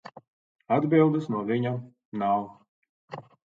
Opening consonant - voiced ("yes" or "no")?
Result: yes